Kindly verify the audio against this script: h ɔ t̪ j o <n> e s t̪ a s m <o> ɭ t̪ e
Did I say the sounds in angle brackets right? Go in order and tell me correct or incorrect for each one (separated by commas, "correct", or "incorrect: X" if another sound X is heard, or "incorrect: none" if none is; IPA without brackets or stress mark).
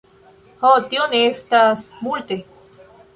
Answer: correct, incorrect: u